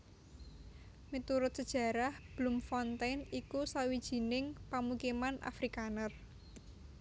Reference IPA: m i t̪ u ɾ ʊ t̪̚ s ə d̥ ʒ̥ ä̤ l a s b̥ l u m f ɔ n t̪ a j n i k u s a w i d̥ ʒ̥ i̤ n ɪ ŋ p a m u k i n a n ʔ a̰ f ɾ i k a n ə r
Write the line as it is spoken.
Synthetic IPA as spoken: m i t̪ u ɾ ʊ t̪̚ s ə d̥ ʒ̥ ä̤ ɾ a h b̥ l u m f ɔ n t̪ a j n i k u s a w i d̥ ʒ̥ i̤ n ɪ ŋ p a m u k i m a n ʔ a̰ f ɾ i k a n ə r